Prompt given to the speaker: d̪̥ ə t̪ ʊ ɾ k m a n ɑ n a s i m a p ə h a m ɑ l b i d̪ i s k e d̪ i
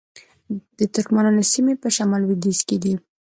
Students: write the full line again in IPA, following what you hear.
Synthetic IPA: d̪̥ ə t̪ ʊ ɾ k m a n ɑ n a s i m e p ə ʃ a m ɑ l w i d̪ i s k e d̪ i